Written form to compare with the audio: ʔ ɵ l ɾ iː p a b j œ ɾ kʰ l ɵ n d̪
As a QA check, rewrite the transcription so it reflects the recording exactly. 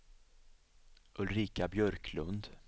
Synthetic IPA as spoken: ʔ ɵ l ɾ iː k a b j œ ɾ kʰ l ɵ n d̪

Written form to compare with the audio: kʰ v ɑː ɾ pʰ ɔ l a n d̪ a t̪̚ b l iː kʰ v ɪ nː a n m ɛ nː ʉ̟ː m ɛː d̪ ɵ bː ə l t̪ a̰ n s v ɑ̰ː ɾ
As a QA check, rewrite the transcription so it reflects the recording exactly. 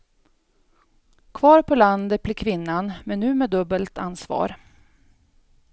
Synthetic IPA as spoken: kʰ v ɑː ɾ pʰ ɔ l a n d̪ ə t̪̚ b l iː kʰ v ɪ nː a n m ɛ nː ʉ̟ː m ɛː d̪ ɵ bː ə l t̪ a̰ n s v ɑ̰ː ɾ

